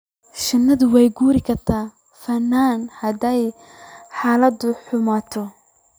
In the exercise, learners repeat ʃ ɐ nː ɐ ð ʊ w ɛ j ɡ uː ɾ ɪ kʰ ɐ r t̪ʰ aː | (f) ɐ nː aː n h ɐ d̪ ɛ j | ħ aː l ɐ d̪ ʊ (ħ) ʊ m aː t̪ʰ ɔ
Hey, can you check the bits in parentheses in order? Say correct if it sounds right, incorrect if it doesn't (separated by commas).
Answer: correct, correct